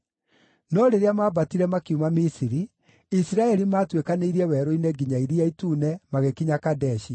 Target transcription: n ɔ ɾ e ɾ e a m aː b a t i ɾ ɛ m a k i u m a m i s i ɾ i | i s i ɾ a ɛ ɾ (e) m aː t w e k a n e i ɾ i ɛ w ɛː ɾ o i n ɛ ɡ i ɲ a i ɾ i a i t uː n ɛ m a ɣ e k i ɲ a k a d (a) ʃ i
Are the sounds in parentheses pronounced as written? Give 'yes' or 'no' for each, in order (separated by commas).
no, no